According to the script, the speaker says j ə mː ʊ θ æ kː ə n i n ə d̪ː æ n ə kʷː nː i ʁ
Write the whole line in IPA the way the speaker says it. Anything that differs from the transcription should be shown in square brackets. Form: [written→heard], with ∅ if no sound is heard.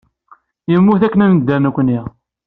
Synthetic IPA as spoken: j ə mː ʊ θ æ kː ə n [i→æ] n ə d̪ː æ n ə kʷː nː i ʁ